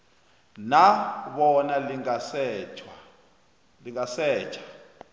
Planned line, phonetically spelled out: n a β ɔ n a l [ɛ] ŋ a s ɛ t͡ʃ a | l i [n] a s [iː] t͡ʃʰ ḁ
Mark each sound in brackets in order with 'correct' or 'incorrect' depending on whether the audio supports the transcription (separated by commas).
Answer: incorrect, incorrect, incorrect